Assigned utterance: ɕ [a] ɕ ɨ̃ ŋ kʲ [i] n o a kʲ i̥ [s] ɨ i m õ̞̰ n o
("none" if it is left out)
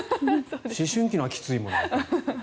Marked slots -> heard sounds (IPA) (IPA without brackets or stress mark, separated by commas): i, i, t͡s